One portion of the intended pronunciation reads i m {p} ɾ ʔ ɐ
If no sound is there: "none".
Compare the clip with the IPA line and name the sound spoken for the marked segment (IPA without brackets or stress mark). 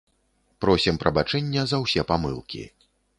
p